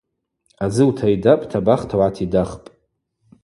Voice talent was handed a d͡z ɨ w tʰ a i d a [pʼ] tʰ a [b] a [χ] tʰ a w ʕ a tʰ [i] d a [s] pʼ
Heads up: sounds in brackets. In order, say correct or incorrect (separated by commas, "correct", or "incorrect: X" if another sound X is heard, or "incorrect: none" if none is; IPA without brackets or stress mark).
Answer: correct, correct, correct, correct, incorrect: χ